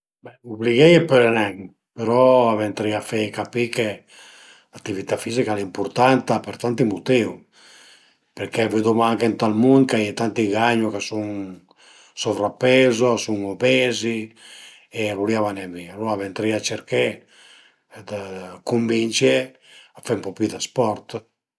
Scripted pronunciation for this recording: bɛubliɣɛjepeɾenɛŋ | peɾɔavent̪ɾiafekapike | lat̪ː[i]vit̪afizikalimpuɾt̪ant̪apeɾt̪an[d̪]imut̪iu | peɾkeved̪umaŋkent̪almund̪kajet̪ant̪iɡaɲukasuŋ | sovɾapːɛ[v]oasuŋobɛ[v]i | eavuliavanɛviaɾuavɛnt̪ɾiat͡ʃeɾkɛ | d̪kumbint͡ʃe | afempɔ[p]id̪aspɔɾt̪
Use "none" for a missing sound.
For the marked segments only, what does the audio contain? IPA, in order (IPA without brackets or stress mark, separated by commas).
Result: i, t̪, z, z, p